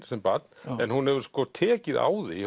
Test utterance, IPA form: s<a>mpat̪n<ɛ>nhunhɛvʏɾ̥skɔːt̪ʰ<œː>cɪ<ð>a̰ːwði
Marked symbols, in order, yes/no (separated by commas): no, yes, no, yes